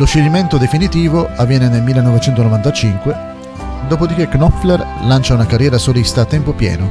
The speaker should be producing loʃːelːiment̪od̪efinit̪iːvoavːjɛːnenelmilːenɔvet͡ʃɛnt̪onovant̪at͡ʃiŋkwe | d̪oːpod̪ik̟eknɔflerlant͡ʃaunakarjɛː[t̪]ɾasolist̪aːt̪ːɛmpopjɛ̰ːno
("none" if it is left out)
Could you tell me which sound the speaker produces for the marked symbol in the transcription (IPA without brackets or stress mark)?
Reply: none